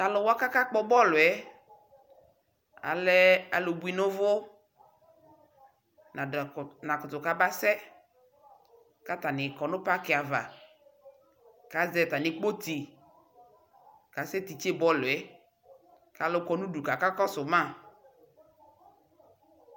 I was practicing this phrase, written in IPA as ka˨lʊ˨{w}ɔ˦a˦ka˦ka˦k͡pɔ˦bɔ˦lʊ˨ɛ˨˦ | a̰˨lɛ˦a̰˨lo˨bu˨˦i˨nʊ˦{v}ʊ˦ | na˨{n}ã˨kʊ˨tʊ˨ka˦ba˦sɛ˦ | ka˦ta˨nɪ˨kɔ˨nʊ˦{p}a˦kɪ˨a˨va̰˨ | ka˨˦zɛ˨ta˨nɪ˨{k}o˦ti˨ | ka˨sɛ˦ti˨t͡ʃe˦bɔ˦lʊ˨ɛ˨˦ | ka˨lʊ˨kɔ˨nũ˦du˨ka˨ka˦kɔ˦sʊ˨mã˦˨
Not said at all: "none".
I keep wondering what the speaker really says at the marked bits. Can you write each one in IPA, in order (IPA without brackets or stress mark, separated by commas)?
w, v, n, p, k͡p